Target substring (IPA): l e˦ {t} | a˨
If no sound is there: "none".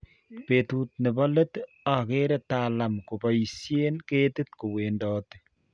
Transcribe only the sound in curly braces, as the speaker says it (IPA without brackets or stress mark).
t